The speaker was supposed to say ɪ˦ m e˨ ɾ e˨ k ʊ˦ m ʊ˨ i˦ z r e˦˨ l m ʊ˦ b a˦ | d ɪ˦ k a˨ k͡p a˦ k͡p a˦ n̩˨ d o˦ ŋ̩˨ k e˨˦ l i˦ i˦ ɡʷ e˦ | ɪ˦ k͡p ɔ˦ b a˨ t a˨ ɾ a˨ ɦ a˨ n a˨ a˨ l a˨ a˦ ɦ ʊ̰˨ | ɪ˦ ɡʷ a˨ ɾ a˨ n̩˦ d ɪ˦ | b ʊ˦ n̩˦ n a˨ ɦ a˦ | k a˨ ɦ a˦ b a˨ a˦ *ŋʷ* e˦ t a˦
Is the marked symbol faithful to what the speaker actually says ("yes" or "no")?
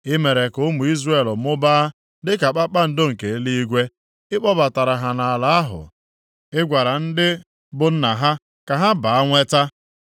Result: yes